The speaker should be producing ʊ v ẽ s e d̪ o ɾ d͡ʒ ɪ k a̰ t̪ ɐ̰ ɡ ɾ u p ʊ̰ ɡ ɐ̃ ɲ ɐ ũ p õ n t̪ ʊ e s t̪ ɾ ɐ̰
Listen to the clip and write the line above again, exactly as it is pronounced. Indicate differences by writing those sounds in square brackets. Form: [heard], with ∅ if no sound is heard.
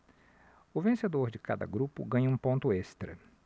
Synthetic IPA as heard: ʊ v ẽ s e d̪ o ɾ d͡ʒ ɪ k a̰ [d̪] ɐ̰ ɡ ɾ u p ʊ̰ ɡ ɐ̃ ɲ ɐ ũ p õ n t̪ ʊ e s t̪ ɾ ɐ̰